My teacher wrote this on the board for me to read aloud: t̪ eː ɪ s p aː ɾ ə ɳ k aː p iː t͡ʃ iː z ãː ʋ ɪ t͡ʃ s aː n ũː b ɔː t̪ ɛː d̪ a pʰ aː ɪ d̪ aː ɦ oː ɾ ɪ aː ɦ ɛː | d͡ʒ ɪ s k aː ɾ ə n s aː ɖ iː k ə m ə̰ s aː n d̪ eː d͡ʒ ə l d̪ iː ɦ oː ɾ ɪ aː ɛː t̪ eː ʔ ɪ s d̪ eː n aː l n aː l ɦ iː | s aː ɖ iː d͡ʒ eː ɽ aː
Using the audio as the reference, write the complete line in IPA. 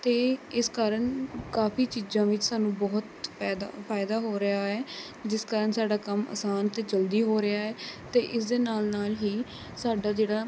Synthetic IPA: t̪ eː ɪ s k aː ɾ ə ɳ k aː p iː t͡ʃ iː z ãː ʋ ɪ t͡ʃ s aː n ũː b ɔː t̪ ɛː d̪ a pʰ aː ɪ d̪ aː ɦ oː ɾ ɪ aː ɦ ɛː | d͡ʒ ɪ s k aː ɾ ə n s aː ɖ aː k ə m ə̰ s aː n t̪ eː d͡ʒ ə l d̪ iː ɦ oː ɾ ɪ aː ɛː t̪ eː ʔ ɪ s d̪ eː n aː l n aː l ɦ iː | s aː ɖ aː d͡ʒ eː ɽ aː